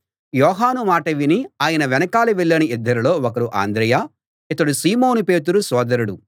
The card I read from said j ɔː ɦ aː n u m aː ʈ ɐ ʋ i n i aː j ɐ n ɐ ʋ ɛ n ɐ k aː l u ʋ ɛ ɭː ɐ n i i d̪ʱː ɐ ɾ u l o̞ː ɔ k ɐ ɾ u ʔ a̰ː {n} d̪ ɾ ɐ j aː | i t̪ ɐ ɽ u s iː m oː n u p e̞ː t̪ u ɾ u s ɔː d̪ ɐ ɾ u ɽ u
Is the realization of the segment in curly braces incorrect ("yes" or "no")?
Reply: no